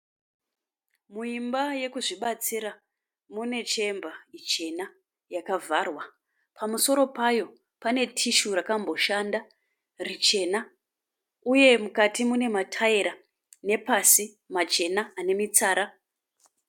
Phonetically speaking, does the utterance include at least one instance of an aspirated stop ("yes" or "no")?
yes